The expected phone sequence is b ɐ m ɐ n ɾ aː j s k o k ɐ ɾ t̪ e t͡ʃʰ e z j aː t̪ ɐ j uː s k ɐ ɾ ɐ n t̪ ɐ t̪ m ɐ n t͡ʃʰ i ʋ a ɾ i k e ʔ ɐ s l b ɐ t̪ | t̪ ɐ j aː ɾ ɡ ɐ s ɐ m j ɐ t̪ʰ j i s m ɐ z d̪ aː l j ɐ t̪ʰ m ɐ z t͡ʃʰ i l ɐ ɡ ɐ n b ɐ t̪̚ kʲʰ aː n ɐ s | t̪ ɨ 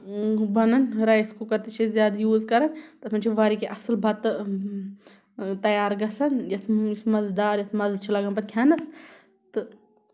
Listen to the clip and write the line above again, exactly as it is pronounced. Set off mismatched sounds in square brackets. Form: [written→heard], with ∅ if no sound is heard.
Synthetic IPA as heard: b ɐ [m→n] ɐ n ɾ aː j s k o k ɐ ɾ t̪ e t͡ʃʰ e z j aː [t̪→d̪] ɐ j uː [s→z] k ɐ ɾ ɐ n t̪ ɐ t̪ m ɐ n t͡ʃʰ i ʋ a ɾ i k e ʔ ɐ s l b ɐ t̪ | t̪ ɐ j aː ɾ ɡ ɐ s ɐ [m→n] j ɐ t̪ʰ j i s m ɐ z d̪ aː [l→ɾ] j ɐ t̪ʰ m ɐ z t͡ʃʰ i l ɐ ɡ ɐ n b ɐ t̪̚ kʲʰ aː n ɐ s | t̪ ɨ